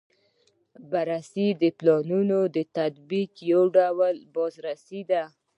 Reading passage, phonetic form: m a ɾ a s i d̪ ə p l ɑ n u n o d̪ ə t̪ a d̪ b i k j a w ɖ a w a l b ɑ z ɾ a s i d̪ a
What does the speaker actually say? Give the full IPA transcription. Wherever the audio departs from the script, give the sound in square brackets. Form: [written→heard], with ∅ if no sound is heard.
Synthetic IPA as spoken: [m→b] a ɾ a s i d̪ ə p l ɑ n u n o d̪ ə t̪ a d̪ b i k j a w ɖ a w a l b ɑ z ɾ a s i d̪ a